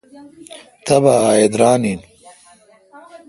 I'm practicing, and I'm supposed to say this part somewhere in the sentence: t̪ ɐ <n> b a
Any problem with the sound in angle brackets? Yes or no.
yes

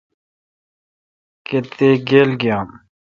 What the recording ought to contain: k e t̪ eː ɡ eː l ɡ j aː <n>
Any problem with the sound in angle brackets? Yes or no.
yes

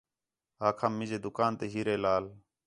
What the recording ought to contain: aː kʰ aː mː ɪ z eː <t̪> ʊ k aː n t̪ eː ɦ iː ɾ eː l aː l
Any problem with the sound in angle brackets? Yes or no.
yes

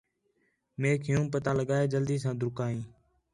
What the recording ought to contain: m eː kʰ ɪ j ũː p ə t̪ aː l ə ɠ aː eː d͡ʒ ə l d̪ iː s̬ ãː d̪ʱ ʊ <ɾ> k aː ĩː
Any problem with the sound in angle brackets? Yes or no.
no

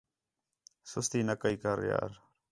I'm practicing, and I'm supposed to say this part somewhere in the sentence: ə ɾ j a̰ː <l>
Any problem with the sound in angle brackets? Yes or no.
yes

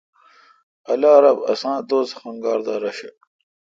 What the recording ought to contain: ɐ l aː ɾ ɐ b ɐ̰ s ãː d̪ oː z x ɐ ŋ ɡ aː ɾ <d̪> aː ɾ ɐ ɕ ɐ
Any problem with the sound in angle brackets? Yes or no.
no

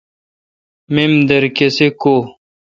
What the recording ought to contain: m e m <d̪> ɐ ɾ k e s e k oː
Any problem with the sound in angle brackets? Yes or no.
no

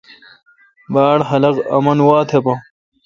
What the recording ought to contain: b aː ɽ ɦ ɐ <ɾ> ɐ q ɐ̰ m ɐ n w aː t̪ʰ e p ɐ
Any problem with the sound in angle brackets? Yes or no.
yes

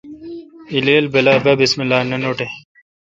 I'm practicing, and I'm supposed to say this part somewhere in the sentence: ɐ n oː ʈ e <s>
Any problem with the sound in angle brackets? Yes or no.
yes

